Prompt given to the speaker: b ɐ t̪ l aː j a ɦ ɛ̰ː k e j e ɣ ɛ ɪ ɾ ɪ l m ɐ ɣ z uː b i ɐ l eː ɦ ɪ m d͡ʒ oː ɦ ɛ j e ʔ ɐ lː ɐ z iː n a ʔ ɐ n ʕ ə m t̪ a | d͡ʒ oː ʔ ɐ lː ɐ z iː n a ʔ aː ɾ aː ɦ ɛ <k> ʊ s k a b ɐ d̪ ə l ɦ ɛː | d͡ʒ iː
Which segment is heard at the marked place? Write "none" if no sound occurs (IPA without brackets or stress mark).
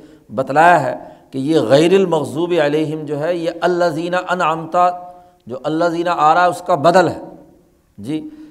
none